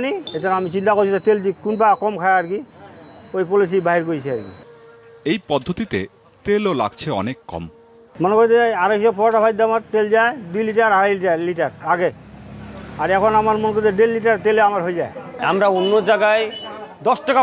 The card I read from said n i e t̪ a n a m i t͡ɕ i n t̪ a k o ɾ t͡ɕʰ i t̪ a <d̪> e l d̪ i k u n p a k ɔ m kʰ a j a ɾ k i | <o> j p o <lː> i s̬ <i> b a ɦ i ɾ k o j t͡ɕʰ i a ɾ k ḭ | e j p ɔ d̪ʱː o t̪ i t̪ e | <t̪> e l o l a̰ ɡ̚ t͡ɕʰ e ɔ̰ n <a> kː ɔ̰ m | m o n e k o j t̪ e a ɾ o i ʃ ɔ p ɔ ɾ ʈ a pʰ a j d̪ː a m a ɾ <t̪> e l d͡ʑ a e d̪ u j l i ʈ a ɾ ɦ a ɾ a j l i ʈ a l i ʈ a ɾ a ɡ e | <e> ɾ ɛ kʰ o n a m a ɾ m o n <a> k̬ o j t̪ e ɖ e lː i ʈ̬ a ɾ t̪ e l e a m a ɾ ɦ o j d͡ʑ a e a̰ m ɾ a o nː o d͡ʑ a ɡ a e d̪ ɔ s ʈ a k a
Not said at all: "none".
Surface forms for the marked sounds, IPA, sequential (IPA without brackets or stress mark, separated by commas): t̪, o, l, i, t̪, e, t̪, a, e